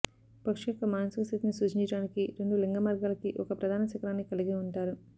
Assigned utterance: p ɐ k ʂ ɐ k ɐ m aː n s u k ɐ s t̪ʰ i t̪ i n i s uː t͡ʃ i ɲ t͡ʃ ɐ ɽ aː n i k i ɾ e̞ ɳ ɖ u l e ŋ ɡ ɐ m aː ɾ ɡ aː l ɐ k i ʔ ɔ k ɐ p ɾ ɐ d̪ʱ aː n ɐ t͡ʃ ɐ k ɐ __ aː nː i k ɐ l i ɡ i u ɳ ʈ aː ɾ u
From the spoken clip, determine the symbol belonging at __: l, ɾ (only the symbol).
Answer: ɾ